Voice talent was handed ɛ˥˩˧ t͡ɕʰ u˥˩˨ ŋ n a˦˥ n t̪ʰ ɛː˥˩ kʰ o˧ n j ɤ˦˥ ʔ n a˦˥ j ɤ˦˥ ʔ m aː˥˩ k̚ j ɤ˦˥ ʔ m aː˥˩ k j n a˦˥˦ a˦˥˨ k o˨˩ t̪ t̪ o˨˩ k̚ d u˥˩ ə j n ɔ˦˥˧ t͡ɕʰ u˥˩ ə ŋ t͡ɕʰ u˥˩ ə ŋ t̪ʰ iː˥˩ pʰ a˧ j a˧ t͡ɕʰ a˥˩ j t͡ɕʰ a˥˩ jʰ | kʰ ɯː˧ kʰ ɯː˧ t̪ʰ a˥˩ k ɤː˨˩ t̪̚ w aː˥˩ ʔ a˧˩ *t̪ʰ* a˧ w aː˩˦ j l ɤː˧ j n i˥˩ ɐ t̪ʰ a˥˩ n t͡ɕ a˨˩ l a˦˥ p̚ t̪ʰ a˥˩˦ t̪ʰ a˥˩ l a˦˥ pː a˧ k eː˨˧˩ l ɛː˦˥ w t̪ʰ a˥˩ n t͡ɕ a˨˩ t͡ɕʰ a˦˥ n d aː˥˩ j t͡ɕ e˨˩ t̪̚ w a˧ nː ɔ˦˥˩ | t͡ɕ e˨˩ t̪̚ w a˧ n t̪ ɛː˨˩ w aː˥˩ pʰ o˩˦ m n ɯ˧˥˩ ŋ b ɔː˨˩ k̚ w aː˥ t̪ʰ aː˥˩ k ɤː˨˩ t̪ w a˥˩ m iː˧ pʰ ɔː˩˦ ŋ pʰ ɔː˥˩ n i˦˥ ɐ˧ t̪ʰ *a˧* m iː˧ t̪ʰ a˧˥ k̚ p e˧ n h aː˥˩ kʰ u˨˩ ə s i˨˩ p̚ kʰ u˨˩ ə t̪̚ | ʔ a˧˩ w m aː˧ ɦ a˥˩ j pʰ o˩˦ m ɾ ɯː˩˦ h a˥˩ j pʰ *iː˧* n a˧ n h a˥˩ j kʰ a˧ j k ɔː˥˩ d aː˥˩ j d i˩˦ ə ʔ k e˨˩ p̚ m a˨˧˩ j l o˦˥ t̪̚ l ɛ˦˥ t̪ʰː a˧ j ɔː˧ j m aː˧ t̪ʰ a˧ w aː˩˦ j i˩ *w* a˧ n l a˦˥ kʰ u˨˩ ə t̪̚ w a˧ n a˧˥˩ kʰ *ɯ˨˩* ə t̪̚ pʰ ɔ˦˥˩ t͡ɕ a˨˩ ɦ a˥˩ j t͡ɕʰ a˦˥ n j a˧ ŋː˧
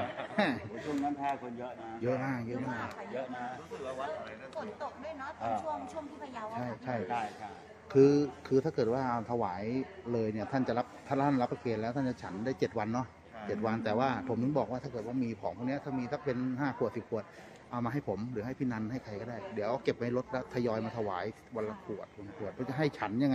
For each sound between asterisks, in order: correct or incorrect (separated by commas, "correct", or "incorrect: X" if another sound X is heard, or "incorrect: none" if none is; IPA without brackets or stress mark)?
correct, incorrect: a˥˩, incorrect: iː˥˩, correct, incorrect: u˨˩